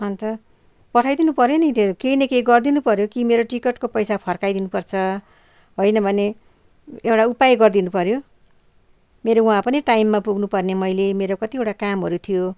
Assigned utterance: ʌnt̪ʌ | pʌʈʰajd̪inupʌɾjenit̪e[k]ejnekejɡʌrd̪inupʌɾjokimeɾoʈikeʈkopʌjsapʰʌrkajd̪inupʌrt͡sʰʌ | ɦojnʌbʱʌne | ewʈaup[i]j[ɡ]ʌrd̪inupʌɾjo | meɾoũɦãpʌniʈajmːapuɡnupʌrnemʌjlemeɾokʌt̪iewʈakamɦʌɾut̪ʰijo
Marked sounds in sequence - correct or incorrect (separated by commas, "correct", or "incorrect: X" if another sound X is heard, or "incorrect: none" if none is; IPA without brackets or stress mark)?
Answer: correct, incorrect: a, correct